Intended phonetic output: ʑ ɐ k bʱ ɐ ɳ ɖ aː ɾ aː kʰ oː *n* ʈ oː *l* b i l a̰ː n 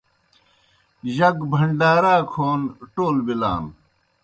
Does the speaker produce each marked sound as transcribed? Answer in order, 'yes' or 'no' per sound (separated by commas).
yes, yes